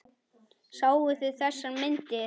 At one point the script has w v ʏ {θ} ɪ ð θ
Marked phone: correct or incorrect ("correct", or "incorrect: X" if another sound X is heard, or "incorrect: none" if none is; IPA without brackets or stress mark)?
correct